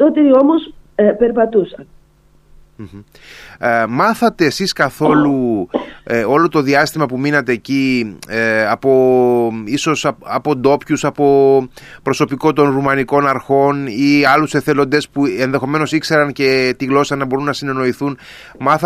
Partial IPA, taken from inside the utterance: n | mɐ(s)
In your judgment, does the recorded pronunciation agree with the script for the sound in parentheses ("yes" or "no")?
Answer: no